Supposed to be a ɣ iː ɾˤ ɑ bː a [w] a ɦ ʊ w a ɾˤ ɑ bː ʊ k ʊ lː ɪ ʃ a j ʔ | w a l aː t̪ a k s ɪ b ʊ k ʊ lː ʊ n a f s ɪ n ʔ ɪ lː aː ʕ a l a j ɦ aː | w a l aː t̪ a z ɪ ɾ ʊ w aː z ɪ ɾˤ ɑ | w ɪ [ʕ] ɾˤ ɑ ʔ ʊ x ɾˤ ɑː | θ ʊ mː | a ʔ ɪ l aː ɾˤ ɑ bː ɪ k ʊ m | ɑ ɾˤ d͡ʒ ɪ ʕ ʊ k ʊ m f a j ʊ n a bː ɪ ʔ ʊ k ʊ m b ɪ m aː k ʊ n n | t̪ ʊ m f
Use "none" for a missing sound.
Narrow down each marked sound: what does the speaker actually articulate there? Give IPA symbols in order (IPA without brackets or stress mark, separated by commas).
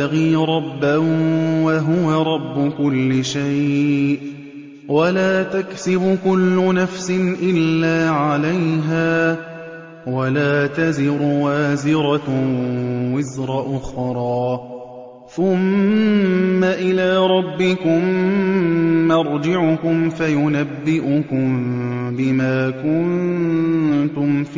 w, z